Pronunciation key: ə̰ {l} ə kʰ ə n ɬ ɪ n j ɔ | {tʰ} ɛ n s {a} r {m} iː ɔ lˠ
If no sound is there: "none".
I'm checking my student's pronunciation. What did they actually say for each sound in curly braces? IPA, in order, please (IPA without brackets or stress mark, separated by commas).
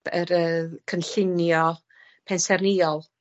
ɾ, pʰ, ɛ, n